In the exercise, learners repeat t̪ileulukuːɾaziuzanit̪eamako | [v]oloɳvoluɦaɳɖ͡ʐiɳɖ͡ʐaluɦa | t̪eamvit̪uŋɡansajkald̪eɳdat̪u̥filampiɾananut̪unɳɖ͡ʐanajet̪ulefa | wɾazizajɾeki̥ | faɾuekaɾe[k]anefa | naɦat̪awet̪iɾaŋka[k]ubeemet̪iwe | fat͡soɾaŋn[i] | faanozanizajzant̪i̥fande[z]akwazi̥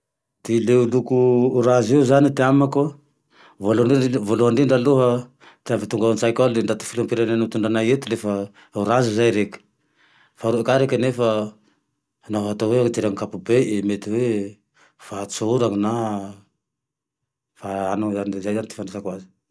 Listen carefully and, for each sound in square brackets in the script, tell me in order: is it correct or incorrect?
correct, correct, incorrect, incorrect, incorrect

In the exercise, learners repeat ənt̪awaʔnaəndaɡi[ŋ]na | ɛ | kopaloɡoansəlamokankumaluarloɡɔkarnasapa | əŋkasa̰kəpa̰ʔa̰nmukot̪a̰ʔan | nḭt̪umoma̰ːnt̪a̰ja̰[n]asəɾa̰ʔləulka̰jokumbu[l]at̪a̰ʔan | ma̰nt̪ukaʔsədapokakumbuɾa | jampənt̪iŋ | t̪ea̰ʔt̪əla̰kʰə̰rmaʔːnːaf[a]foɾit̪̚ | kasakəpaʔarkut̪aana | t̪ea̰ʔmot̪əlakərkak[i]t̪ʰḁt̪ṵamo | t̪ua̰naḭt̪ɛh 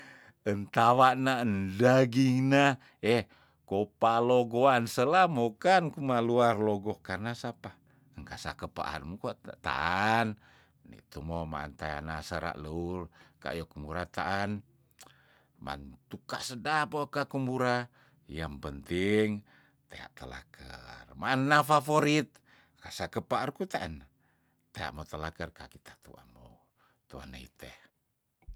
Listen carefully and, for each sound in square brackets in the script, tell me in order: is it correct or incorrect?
correct, correct, incorrect, correct, correct

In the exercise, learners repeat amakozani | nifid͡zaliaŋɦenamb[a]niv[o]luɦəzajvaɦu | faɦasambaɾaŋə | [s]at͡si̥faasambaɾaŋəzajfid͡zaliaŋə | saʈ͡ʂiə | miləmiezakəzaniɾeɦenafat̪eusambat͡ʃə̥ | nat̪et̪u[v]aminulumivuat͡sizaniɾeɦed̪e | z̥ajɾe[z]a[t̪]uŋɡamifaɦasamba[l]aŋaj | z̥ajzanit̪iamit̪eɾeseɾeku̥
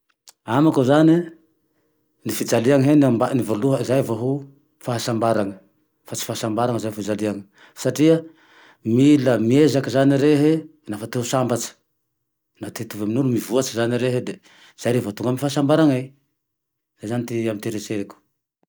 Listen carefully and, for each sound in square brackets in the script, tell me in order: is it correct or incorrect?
correct, correct, incorrect, correct, incorrect, correct, incorrect

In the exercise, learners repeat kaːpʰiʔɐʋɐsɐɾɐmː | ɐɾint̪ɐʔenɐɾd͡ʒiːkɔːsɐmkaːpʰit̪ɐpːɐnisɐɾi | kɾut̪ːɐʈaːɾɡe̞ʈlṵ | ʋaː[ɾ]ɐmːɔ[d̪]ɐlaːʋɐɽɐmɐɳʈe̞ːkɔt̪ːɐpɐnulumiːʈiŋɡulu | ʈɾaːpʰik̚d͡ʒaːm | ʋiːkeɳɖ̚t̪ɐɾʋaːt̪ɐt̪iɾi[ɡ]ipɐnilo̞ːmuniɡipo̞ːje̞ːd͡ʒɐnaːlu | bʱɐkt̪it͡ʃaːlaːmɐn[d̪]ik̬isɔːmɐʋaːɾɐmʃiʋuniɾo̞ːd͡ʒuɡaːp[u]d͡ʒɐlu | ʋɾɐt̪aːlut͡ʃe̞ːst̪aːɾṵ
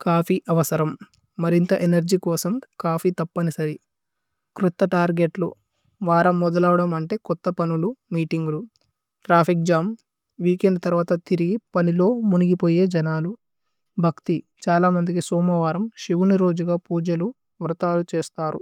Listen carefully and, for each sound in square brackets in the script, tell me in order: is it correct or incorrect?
correct, correct, correct, correct, incorrect

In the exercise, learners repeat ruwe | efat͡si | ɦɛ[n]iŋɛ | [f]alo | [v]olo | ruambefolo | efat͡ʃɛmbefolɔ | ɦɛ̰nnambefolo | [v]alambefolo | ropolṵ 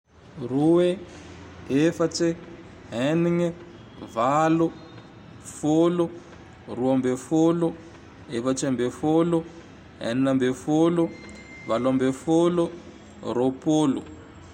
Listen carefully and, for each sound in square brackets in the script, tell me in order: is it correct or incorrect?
correct, incorrect, incorrect, correct

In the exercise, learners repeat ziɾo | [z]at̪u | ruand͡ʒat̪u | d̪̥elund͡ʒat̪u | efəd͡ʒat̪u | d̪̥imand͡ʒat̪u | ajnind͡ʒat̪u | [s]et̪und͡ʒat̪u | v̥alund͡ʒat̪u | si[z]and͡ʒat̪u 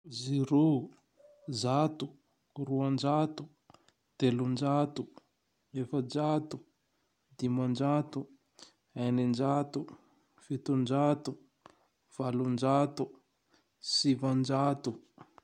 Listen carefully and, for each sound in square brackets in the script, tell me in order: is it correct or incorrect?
correct, incorrect, incorrect

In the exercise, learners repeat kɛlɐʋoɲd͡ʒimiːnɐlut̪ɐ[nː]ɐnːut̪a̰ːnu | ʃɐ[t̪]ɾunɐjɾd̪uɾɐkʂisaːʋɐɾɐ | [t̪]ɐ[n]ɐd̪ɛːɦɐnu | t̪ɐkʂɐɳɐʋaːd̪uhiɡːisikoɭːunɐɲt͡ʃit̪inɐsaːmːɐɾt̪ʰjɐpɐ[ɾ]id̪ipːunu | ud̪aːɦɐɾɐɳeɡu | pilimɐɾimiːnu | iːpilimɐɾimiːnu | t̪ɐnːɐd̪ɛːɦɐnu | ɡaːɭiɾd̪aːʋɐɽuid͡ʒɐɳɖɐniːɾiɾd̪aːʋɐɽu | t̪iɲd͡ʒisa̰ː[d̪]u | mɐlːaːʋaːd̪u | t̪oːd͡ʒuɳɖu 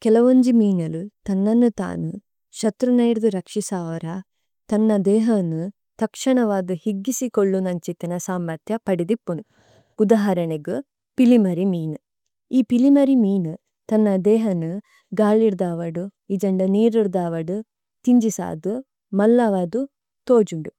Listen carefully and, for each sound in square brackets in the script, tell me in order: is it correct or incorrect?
correct, correct, correct, incorrect, incorrect, correct

